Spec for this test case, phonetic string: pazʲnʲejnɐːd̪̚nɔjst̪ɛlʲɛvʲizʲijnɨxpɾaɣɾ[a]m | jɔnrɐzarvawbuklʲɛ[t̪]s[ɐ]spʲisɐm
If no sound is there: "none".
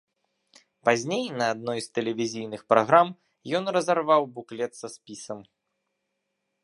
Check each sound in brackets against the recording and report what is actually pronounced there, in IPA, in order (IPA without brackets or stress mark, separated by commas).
a, t̪, ɐ